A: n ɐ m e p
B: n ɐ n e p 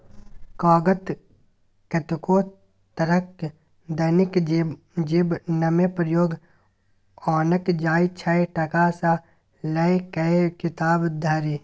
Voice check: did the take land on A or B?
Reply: A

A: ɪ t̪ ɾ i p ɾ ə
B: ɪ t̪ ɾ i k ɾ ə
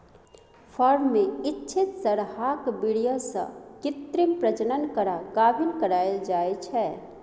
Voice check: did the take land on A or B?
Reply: A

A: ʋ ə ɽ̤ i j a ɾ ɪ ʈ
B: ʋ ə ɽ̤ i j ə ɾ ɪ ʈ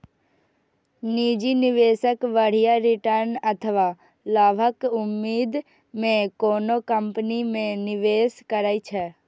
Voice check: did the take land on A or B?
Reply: A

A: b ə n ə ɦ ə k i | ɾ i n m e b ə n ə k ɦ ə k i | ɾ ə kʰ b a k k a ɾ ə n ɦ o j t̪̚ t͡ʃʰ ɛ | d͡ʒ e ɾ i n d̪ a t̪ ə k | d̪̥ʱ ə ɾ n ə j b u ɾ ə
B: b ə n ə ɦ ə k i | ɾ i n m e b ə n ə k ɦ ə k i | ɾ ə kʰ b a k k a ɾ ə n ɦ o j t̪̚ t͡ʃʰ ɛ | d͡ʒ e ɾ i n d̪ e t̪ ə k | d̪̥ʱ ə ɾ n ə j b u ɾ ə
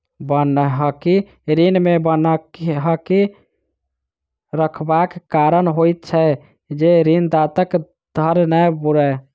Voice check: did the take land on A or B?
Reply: A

